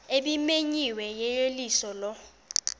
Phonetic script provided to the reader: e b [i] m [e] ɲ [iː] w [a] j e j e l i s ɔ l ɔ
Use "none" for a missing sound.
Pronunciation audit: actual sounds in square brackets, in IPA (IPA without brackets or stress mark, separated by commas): i, e, i, ɛ